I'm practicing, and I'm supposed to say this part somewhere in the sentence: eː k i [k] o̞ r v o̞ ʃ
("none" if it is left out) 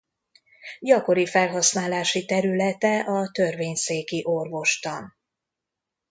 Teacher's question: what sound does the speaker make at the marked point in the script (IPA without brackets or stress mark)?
ʔ